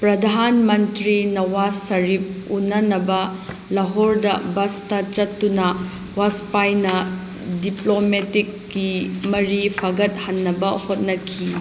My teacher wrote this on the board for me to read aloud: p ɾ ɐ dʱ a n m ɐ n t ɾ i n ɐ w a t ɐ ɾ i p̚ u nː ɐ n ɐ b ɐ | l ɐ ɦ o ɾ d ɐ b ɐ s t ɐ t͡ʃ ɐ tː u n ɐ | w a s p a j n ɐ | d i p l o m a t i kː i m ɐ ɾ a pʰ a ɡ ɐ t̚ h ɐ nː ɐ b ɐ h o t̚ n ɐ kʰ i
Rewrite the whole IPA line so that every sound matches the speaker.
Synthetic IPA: p ɾ ɐ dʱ a n m ɐ n t ɾ i n ɐ w a s ɐ ɾ i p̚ u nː ɐ n ɐ b ɐ | l ɐ ɦ o ɾ d ɐ b ɐ s t ɐ t͡ʃ ɐ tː u n ɐ | w a s p a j n ɐ | d i p l o m e t i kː i m ɐ ɾ i pʰ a ɡ ɐ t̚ h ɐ nː ɐ b ɐ h o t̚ n ɐ kʰ i